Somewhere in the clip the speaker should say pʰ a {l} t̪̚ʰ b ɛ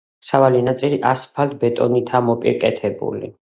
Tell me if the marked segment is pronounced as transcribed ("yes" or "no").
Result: yes